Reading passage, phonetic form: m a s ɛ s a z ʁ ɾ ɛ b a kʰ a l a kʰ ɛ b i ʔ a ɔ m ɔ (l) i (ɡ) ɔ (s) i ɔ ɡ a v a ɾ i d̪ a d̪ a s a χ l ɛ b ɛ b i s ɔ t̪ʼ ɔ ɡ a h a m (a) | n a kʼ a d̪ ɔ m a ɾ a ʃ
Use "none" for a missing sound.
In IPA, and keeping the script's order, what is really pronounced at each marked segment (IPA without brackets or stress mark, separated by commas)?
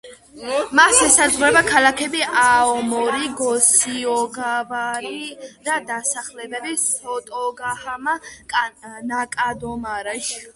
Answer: ɾ, ɡ, s, a